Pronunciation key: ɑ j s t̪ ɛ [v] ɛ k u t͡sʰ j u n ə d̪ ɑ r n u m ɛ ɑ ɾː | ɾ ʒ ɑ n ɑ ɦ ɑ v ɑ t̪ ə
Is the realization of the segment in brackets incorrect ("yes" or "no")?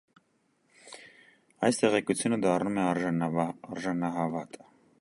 yes